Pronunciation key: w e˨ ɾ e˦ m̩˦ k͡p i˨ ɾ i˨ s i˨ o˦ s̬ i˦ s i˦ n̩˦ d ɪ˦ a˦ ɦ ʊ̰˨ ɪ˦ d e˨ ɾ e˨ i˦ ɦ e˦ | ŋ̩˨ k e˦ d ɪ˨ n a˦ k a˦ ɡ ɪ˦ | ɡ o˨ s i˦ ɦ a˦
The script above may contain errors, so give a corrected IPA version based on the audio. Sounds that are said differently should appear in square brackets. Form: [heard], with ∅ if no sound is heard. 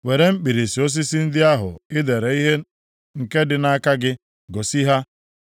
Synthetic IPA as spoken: w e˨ ɾ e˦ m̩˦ k͡p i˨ ɾ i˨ s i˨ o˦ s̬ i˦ s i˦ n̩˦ d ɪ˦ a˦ ɦ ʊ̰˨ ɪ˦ d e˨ ɾ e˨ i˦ ɦ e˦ | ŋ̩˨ k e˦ d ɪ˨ n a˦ k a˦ ɡ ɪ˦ | ɡ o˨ s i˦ ɦ a˦